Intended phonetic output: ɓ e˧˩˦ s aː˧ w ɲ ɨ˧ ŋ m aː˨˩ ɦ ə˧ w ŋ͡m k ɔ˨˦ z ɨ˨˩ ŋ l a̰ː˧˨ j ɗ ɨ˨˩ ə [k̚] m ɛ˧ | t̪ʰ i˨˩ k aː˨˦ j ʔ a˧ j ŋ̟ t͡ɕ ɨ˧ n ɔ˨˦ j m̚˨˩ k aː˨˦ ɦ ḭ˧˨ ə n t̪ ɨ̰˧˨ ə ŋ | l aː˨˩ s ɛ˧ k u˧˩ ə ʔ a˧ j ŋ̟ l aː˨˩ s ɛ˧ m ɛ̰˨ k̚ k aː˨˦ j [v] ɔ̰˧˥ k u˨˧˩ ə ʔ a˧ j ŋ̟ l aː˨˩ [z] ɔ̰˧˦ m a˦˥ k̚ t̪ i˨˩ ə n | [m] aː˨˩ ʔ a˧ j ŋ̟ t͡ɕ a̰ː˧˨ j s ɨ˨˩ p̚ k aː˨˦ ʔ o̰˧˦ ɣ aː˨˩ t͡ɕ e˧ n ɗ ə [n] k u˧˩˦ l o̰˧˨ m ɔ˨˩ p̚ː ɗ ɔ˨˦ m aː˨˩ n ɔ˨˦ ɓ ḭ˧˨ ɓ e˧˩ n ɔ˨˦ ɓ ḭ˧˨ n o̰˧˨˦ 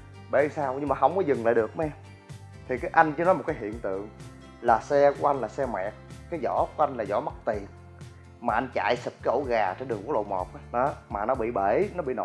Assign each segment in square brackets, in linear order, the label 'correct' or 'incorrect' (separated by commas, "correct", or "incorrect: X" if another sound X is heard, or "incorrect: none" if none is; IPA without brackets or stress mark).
correct, incorrect: z, correct, correct, incorrect: ŋ